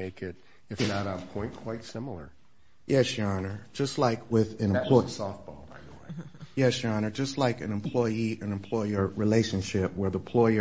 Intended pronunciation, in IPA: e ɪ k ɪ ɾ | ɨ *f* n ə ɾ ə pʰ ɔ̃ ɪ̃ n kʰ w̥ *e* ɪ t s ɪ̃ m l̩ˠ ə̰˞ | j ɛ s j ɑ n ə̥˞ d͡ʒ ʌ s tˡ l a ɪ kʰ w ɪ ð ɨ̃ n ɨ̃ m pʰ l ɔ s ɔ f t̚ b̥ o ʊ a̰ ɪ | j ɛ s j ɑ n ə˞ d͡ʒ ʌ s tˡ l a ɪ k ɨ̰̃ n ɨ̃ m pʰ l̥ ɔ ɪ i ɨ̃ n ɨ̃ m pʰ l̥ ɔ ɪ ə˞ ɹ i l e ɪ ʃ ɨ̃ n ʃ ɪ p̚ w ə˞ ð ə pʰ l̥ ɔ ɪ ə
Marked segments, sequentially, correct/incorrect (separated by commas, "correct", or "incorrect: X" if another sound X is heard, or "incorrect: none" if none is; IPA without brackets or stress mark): correct, incorrect: a